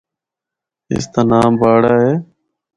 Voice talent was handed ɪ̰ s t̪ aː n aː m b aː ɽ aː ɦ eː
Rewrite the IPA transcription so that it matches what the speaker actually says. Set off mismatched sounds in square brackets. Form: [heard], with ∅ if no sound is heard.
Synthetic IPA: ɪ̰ s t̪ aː n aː m b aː ɽ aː ɦ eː